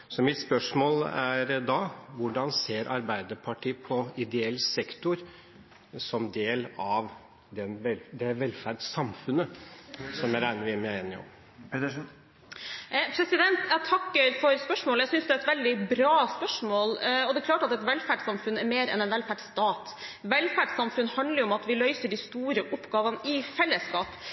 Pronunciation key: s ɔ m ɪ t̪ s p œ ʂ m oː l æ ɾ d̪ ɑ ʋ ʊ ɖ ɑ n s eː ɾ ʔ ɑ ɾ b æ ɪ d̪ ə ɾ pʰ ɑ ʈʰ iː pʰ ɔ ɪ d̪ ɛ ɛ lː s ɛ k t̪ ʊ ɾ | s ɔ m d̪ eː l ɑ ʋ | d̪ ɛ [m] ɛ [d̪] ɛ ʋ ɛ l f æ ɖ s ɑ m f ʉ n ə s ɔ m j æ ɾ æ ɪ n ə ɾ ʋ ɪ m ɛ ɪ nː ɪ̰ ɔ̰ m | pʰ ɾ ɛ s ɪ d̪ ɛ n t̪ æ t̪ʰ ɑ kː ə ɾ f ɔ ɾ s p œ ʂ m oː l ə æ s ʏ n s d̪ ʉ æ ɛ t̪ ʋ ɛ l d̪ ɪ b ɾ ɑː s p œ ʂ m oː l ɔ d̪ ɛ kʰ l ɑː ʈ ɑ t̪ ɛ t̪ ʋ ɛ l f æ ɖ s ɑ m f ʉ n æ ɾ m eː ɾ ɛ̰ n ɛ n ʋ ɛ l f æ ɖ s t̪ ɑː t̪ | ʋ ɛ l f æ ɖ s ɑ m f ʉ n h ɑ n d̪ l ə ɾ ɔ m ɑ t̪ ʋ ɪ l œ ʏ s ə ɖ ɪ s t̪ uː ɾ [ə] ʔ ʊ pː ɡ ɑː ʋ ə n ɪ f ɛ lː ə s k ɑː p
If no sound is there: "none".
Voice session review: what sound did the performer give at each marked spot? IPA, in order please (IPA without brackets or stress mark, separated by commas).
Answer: n, d̪, ə